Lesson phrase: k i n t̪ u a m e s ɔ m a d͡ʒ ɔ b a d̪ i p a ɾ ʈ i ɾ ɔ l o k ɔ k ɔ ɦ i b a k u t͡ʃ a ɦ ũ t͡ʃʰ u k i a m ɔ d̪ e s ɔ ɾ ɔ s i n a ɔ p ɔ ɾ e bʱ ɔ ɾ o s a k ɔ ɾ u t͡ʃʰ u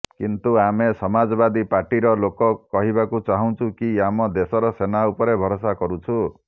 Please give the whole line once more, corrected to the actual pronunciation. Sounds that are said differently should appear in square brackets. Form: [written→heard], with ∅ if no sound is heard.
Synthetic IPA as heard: k i n t̪ u a m e s ɔ m a d͡ʒ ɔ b a d̪ i p a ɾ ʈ i ɾ ɔ l o k ɔ k ɔ ɦ i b a k u t͡ʃ a ɦ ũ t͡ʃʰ u k i a m ɔ d̪ e s ɔ ɾ ɔ s [i→e] n a [ɔ→u] p ɔ ɾ e bʱ ɔ ɾ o s a k ɔ ɾ u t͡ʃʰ u